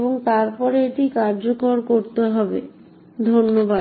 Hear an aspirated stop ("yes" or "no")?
no